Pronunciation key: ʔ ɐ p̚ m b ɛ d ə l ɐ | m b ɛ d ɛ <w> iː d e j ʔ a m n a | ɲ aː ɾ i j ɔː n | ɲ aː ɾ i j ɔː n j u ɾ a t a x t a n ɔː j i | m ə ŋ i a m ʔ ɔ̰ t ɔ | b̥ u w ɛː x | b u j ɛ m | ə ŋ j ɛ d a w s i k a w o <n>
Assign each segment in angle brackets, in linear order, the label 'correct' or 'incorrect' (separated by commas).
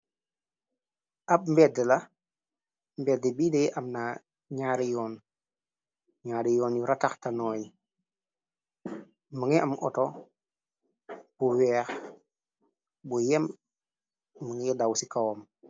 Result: incorrect, incorrect